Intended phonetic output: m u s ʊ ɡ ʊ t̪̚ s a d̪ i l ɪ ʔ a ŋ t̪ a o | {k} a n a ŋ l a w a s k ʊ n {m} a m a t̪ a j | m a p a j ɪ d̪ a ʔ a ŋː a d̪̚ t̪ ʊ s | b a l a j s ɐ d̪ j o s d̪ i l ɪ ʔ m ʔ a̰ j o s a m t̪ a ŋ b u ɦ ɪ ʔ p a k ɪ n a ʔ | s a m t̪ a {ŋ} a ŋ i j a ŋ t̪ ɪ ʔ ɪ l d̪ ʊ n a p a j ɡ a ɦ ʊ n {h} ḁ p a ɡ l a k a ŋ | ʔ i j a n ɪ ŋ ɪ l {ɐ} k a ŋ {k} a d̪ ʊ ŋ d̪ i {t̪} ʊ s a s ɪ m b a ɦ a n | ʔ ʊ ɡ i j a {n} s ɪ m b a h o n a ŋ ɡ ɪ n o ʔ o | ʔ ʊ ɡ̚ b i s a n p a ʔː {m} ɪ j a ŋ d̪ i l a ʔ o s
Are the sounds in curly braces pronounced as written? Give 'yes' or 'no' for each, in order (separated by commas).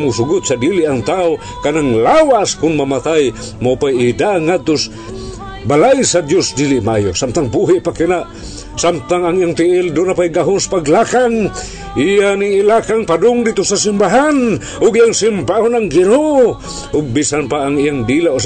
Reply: yes, yes, yes, no, no, no, yes, no, no